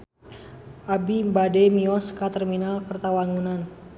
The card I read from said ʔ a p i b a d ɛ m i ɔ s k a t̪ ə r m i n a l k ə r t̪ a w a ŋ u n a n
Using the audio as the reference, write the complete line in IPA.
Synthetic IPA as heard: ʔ a b i b a d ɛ m i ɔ s k a t̪ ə r m i n a l k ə r t̪ a w a ŋ u n a n